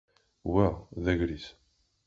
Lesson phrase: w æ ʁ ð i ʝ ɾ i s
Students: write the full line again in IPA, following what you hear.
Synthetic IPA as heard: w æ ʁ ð æ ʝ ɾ i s